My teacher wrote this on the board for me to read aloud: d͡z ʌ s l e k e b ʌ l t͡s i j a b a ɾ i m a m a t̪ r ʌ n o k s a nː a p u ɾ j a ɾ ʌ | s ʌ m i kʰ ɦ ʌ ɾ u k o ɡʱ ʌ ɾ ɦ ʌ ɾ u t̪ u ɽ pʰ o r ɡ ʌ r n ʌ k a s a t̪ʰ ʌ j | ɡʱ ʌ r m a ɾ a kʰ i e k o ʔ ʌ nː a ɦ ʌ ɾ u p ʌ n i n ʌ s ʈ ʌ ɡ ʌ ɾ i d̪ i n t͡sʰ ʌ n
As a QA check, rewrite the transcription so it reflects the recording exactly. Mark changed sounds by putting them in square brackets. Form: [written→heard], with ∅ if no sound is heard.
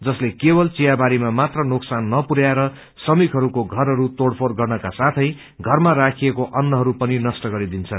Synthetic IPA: d͡z ʌ s l e k e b ʌ l t͡s i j a b a ɾ i m a m a t̪ r ʌ n o k s a nː [a→ʌ] p u ɾ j a ɾ ʌ | s ʌ m i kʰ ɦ ʌ ɾ u k o ɡʱ ʌ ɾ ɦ ʌ ɾ u t̪ [u→o] ɽ pʰ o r ɡ ʌ r n ʌ k a s a t̪ʰ ʌ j | ɡʱ ʌ r m a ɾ a kʰ i e k o ʔ ʌ nː [a→ʌ] ɦ ʌ ɾ u p ʌ n i n ʌ s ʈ ʌ ɡ ʌ ɾ i d̪ i n t͡sʰ ʌ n